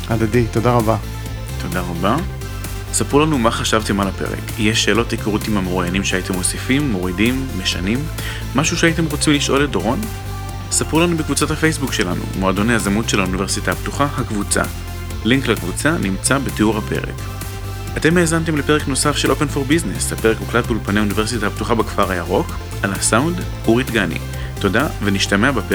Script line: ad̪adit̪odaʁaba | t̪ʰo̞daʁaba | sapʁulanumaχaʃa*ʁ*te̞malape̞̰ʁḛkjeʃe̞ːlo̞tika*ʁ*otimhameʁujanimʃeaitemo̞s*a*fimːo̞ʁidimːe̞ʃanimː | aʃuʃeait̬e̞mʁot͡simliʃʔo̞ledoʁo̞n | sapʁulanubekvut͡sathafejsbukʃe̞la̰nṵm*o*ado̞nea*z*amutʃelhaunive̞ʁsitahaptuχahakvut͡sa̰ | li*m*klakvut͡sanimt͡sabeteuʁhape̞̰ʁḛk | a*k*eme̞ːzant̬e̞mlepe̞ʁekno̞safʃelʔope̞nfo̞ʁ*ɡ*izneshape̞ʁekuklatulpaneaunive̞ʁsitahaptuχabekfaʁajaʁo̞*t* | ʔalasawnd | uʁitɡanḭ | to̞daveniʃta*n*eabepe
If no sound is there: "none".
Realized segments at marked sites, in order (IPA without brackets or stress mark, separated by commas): v, ʁ, i, o, z, ŋ, t, b, k, m